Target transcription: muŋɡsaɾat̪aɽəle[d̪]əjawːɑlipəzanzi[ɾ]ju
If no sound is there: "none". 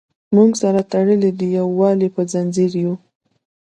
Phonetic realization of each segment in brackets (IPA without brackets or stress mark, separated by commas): d̪, ɾ